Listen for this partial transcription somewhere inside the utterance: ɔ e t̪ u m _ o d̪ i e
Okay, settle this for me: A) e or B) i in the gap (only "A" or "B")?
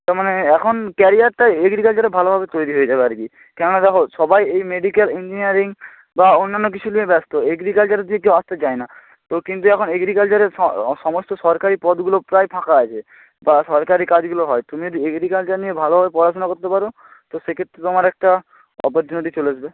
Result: B